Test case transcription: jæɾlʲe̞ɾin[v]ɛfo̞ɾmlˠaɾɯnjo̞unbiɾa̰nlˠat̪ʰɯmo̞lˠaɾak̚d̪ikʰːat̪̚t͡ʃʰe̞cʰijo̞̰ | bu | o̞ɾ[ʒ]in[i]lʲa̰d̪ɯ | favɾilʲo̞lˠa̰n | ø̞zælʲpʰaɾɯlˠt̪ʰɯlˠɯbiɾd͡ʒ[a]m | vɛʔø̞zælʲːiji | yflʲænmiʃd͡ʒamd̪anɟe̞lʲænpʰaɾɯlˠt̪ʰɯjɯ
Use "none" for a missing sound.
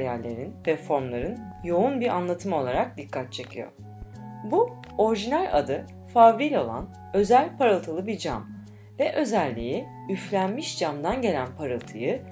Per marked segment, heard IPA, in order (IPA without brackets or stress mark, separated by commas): v, ʒ, æ, a